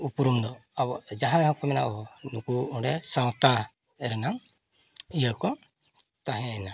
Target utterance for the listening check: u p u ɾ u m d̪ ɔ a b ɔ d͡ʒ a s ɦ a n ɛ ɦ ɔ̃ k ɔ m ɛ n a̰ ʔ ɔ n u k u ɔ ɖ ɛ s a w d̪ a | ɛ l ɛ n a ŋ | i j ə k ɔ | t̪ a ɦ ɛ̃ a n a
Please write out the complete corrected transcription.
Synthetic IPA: u p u ɾ u m d̪ ɔ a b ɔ d͡ʒ a ɦ a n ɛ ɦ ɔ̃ k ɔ m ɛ n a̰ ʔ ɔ n u k u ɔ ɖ ɛ s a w t̪ a | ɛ ɾ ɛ n a ŋ | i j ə k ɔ | t̪ a ɦ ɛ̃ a n a